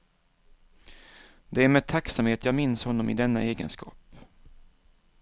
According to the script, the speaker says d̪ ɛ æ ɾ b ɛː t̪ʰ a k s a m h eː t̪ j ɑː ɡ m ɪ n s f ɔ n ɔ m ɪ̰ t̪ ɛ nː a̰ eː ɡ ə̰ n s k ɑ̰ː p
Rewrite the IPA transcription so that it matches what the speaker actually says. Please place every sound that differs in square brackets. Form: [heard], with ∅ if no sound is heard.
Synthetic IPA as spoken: d̪ ɛ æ ɾ [m] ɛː t̪ʰ a k s a m h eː t̪ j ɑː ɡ m ɪ n s [h] ɔ [nː] ɔ m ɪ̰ [d̪] ɛ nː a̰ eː ɡ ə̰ n s k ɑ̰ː p